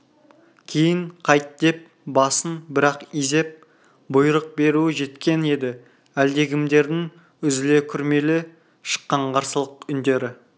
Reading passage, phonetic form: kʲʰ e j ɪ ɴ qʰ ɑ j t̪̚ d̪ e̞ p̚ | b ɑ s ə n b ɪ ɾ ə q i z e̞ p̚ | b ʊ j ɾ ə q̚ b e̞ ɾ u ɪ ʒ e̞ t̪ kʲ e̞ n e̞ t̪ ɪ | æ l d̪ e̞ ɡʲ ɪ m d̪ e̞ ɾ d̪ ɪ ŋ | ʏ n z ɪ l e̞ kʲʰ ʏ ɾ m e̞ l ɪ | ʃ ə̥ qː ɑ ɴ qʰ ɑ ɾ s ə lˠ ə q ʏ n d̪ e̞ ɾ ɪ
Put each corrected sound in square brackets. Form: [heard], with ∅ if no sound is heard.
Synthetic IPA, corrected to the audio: kʲʰ e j ɪ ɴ qʰ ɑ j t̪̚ d̪ e̞ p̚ | b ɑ s ə n b ɪ ɾ [ɑ] q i z e̞ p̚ | b ʊ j ɾ ə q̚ b e̞ ɾ u ɪ ʒ e̞ t̪ kʲ e̞ n e̞ [d̪] ɪ | æ l d̪ e̞ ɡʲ ɪ m d̪ e̞ ɾ d̪ ɪ ŋ | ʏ [∅] z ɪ l e̞ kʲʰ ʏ ɾ m e̞ l ɪ | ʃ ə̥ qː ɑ ɴ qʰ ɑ ɾ s ə lˠ ə q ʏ n d̪ e̞ ɾ ɪ